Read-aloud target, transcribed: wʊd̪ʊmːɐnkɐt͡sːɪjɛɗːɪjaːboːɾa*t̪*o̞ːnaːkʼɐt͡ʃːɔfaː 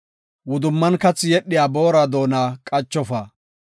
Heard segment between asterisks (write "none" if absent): d̪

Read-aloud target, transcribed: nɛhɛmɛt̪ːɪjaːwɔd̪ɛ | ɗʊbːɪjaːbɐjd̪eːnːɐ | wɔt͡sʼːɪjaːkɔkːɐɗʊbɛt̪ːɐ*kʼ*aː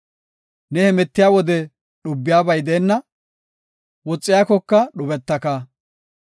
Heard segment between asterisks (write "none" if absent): k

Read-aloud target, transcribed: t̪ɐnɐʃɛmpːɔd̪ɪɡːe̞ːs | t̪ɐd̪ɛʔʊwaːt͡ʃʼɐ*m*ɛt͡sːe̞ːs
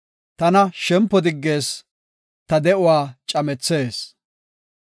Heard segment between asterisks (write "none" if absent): m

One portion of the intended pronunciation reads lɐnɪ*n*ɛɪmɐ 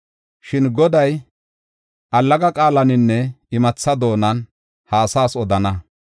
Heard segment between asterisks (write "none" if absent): nː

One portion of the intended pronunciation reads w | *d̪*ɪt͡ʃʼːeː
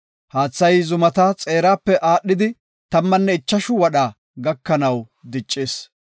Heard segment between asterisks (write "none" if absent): d̪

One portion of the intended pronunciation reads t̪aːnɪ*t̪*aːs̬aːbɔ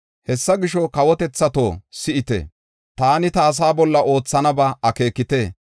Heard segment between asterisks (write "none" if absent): t̪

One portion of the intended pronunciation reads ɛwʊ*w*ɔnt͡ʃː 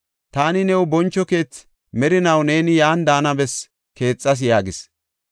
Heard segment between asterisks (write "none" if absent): b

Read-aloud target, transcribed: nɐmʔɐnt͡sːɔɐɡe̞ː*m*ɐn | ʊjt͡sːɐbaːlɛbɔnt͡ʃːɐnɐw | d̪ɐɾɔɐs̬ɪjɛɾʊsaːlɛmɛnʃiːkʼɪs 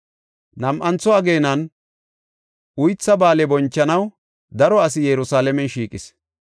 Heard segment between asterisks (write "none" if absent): n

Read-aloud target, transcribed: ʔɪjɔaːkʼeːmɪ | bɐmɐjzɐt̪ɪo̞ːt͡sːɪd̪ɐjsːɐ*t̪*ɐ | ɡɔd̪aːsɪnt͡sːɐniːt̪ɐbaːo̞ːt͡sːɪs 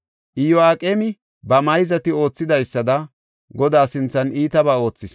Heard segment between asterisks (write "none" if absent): d̪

